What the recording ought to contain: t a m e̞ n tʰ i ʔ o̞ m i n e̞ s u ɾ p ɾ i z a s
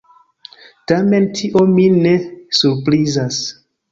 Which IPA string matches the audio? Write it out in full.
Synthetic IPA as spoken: t a m e̞ n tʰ i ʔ o̞ m i n e̞ s u ɾ p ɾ i z a s